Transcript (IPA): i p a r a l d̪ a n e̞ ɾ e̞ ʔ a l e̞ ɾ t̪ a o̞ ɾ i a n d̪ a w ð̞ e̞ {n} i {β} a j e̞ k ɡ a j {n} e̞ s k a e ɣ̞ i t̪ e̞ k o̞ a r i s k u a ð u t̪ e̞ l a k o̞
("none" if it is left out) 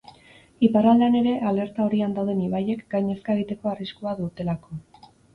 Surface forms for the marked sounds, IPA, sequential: n, β, ɲ

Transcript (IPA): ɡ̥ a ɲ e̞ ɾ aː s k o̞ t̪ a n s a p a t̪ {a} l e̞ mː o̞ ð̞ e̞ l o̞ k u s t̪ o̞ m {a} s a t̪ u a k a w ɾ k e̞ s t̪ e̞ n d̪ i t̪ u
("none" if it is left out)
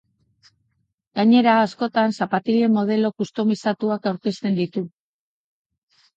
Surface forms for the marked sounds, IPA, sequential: i, i

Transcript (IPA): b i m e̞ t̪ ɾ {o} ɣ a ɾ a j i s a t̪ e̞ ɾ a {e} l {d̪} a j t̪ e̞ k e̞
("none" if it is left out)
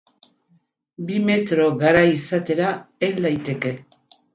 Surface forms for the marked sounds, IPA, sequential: o, e, d̪

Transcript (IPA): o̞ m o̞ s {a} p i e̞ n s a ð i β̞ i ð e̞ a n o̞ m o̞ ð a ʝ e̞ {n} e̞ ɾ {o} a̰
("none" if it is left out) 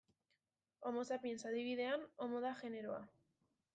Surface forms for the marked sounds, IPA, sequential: a, n, o

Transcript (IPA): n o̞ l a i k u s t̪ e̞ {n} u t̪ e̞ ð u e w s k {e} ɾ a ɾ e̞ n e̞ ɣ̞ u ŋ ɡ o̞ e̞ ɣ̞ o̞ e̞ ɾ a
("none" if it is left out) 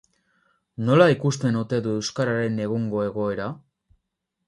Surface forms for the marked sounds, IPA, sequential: n, a

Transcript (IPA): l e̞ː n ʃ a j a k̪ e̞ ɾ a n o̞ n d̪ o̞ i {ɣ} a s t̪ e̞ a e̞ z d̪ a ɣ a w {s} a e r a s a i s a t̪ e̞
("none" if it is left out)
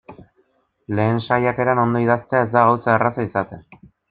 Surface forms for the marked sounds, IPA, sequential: ð, s

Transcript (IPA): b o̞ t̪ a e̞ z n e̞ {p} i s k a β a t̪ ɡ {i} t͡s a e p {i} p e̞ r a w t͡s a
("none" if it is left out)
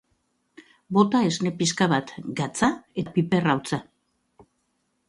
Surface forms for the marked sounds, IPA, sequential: p, a, i

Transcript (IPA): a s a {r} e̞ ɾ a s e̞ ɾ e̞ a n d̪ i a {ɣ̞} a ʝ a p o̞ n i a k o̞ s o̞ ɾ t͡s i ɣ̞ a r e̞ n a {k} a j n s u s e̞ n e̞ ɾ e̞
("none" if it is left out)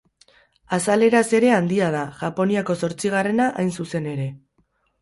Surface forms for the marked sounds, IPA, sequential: l, ð̞, ʔ

